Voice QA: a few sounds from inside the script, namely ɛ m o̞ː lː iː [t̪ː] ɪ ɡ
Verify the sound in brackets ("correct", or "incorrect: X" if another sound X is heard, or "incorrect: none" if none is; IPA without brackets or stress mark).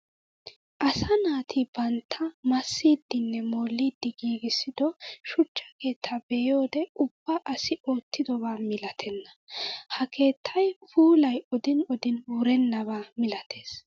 incorrect: d̪ː